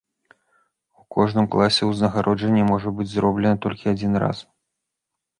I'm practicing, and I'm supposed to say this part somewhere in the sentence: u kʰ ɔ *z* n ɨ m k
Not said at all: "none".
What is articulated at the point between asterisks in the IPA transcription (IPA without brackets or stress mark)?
ʐ